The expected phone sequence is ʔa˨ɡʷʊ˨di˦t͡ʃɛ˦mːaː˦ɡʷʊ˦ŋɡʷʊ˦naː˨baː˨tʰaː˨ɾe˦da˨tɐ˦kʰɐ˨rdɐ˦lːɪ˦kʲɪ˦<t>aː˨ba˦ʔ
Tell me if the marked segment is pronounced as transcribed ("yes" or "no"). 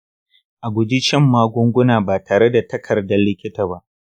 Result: yes